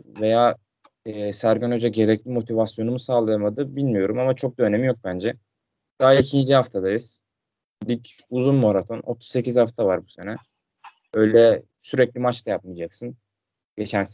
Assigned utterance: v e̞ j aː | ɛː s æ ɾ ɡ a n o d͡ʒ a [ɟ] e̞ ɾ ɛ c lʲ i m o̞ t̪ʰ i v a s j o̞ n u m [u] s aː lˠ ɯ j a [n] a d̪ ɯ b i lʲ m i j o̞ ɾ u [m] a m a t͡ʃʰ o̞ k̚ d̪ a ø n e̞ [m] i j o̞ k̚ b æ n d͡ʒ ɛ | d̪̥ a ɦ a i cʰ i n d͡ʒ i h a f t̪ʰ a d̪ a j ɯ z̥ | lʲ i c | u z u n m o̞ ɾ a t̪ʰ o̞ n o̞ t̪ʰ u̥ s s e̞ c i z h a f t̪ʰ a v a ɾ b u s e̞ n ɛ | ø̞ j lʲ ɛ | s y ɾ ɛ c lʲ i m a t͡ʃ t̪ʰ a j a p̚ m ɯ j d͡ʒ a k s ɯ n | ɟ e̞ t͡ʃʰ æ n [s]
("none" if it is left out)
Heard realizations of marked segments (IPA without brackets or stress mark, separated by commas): ɟ, u, m, m, m, s